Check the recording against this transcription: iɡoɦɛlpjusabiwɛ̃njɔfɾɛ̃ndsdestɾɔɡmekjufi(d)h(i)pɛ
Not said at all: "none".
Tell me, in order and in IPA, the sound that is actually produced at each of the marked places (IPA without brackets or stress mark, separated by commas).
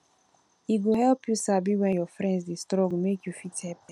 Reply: t, ɛ